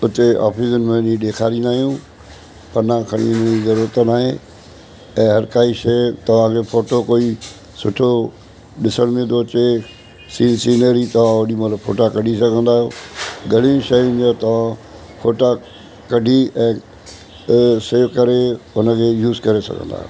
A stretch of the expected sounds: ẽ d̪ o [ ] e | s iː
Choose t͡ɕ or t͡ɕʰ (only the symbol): t͡ɕ